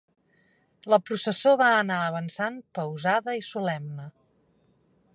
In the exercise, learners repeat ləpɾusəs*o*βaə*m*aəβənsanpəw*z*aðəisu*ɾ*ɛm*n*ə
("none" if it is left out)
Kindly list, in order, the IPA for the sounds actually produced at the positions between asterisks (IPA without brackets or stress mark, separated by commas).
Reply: o, n, z, l, n